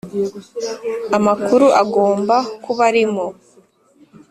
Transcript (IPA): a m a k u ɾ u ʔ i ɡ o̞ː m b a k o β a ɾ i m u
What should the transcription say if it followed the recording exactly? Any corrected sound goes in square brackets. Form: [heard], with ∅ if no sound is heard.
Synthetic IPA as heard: a m a k u ɾ u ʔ [a] ɡ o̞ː m b a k [u] β a ɾ i m [o]